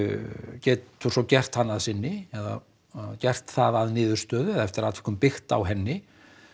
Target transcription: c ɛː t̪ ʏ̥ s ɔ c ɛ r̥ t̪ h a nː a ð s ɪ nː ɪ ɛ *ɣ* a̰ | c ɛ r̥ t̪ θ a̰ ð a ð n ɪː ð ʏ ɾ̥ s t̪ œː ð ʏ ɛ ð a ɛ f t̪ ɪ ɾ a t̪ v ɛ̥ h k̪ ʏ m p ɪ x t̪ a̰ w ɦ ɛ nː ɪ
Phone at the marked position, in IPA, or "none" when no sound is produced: ð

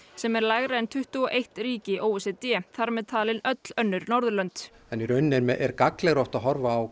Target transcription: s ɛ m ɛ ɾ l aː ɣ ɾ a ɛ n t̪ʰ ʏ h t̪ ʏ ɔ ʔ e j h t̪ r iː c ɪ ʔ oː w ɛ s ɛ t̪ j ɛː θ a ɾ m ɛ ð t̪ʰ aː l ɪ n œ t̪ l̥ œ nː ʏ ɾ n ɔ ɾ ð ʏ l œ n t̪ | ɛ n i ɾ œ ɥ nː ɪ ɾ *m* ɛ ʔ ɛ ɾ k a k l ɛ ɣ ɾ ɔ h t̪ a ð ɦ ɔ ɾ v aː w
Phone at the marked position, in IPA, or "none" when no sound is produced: m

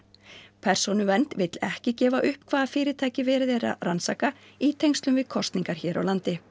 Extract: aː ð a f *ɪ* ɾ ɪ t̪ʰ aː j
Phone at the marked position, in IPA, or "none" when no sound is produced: ɪː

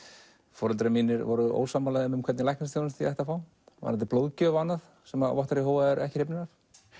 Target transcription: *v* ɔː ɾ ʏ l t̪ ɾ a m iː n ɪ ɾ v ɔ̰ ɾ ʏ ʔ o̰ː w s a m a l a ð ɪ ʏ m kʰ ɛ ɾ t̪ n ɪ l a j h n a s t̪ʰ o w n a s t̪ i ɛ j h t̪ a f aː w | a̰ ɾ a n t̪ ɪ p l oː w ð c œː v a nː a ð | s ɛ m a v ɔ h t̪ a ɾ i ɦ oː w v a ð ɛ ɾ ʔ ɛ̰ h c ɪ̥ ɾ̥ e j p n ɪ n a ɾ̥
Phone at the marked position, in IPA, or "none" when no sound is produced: f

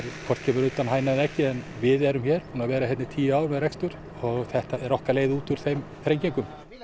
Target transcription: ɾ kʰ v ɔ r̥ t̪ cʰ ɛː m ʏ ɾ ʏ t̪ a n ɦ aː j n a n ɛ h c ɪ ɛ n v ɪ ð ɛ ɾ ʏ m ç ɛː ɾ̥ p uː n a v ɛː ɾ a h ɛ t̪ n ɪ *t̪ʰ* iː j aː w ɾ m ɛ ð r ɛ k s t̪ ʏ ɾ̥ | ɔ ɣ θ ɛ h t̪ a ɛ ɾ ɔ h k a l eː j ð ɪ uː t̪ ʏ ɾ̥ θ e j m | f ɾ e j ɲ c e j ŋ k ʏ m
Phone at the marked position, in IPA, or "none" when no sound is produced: t̪ʰ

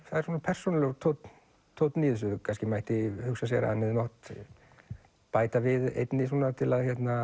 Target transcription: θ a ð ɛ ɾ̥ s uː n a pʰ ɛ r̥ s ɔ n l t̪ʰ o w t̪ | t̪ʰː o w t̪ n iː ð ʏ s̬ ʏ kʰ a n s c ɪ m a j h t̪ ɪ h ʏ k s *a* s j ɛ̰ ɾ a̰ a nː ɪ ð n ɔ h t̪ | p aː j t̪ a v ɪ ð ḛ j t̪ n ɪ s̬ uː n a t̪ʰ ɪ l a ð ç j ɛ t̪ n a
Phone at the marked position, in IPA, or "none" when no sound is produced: a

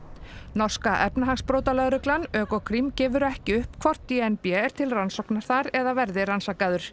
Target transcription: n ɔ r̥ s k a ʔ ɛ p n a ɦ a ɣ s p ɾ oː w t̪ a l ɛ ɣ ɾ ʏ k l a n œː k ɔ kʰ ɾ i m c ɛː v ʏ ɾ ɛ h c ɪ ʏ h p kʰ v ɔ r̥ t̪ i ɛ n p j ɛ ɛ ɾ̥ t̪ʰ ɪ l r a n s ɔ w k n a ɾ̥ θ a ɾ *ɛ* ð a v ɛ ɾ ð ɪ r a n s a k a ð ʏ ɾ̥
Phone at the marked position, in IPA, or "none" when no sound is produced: ɛ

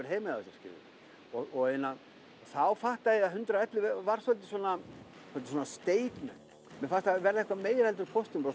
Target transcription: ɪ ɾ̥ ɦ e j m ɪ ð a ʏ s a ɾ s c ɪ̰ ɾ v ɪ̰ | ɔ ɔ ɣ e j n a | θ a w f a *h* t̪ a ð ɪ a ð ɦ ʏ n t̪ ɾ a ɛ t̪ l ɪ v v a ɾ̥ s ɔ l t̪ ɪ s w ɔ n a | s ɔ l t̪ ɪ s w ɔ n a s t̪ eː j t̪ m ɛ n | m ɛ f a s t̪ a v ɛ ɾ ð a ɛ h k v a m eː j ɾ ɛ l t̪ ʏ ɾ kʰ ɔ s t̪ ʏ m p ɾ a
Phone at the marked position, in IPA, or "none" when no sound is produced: h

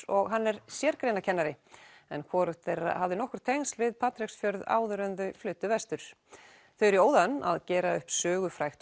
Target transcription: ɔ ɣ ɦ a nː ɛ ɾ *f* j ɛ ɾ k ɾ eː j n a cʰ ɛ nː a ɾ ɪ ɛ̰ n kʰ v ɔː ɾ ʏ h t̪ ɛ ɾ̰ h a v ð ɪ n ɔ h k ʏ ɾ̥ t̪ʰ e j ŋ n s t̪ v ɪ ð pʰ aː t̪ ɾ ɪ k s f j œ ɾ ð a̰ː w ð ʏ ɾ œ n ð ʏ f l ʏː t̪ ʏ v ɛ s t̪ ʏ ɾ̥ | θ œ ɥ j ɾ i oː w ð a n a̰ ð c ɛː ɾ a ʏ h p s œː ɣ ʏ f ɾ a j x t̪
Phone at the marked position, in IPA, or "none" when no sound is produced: s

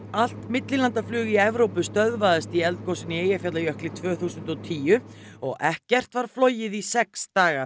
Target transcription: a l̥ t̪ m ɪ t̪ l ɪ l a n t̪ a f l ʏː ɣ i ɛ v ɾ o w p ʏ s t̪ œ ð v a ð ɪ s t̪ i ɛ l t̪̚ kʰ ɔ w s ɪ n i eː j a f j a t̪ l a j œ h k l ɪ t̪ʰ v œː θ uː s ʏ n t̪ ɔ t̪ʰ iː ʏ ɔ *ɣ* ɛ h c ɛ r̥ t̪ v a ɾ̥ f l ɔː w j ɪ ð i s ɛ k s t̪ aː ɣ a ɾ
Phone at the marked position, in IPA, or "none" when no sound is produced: ɣ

